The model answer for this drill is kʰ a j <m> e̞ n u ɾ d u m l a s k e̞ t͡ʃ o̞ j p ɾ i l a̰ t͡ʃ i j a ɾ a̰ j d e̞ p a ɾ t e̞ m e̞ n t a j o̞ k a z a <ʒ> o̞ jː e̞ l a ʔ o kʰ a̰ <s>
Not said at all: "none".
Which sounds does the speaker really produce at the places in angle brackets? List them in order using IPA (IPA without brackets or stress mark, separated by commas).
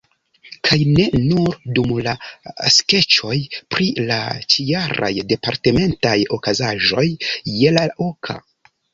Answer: n, ʒ, none